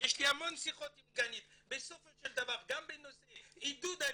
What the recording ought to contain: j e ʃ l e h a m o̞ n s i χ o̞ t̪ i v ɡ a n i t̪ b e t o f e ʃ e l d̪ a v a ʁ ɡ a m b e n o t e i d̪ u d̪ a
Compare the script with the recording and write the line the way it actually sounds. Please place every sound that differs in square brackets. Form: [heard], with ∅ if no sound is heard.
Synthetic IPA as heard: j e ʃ l [i] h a m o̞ n s i χ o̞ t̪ i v ɡ a n i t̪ b e [s] o f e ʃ e l d̪ a v a ʁ ɡ a m b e n o [s] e i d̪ u d̪ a